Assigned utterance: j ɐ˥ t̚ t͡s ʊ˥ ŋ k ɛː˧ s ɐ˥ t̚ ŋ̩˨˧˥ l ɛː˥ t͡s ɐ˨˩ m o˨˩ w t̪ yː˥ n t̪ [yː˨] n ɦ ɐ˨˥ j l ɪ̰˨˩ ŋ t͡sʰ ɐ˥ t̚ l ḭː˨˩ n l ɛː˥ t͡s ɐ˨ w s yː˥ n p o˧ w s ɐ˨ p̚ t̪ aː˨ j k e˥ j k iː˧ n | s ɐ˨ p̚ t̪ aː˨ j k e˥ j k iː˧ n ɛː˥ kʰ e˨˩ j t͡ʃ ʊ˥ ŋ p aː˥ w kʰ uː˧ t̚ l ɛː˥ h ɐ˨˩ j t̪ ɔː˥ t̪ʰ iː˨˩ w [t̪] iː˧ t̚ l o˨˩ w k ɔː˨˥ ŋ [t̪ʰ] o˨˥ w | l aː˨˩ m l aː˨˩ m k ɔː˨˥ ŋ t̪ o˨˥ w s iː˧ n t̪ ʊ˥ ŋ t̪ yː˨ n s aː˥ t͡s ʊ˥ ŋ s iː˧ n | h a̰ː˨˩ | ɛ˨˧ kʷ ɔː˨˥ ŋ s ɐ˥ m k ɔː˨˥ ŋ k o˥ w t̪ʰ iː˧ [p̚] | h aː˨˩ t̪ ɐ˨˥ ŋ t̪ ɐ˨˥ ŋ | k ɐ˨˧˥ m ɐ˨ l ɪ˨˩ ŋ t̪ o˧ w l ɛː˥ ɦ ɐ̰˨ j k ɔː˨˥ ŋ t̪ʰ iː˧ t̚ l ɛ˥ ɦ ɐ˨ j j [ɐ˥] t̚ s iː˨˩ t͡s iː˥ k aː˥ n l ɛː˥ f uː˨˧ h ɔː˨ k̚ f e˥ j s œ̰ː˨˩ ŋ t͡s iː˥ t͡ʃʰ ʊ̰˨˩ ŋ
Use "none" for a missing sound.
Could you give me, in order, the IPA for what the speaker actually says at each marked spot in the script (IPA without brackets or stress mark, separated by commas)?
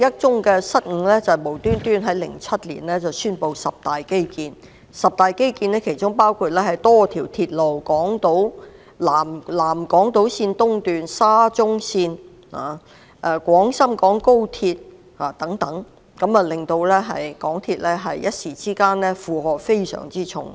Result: yː˥, t̪ʰ, t̪, t̚, ɐ˥